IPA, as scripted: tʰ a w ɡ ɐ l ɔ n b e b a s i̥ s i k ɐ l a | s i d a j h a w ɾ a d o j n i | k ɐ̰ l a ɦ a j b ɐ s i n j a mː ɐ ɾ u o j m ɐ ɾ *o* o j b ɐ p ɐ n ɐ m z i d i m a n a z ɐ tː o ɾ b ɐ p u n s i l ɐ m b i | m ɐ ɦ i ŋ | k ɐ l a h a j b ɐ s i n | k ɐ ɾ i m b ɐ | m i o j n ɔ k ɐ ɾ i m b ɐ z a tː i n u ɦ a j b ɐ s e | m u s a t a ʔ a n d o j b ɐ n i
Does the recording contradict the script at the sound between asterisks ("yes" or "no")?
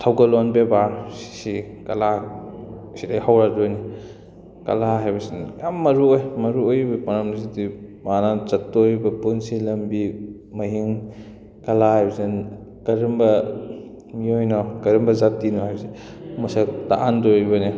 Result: yes